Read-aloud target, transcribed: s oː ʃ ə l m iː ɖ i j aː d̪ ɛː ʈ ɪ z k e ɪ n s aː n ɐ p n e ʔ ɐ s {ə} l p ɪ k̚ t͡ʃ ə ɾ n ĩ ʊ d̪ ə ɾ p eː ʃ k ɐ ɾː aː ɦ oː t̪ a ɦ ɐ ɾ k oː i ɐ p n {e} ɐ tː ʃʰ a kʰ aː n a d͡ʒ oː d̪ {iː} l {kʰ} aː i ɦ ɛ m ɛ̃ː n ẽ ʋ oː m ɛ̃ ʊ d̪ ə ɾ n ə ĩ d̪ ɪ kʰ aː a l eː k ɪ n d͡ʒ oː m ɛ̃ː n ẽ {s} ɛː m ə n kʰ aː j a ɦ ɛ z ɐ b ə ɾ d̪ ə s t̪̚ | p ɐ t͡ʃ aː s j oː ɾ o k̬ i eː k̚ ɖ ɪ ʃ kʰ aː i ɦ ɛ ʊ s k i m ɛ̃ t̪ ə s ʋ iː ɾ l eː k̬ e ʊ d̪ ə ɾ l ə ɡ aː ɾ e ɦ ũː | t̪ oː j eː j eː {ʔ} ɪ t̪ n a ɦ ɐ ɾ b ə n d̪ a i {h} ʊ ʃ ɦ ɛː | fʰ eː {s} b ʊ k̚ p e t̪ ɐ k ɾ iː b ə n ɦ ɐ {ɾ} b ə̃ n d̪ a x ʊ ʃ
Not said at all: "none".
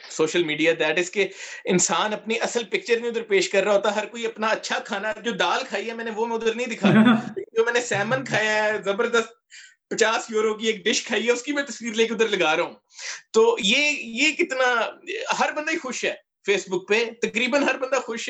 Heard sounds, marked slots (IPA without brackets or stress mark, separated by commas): ə, a, aː, kʰ, s, k, x, s, ɾ